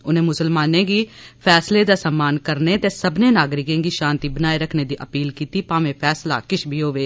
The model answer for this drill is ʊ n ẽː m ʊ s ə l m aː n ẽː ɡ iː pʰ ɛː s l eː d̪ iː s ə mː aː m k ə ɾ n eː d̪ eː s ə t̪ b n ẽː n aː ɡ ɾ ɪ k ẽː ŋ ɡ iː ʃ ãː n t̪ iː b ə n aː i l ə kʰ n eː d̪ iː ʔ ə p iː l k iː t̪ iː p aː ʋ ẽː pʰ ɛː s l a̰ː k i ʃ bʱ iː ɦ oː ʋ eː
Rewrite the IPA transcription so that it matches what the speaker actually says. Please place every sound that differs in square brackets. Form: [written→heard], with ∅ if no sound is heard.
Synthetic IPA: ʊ n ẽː m ʊ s ə l m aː n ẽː ɡ iː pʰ ɛː s l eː d̪ [iː→aː] s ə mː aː [m→n] k ə ɾ n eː [d̪→t̪] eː s ə [t̪→∅] b n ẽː n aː ɡ ɾ ɪ k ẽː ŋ ɡ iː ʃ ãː n t̪ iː b ə n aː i [l→ɾ] ə kʰ n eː d̪ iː ʔ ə p iː l k iː t̪ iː p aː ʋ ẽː pʰ ɛː s l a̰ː k [i→ɪ] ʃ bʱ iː ɦ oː ʋ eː